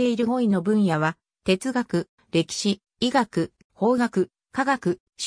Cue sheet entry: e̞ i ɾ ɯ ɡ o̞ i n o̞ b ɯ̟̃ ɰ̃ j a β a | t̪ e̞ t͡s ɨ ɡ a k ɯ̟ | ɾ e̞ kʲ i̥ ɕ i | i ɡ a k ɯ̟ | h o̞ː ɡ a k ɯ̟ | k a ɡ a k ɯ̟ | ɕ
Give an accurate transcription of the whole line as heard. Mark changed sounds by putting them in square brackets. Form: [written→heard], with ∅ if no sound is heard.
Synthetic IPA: e̞ i ɾ ɯ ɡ o̞ i n o̞ b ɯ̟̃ ɰ̃ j a β a | t̪ e̞ t͡s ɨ ɡ a k ɯ̟ | ɾ e̞ kʲ i̥ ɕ i | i ɡ a k ɯ̟ | h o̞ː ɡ a k ɯ̟ | k a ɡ a k ɯ̟ | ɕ